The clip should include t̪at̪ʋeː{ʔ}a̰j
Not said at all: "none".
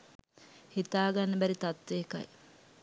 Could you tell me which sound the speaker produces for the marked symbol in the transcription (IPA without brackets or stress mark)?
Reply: k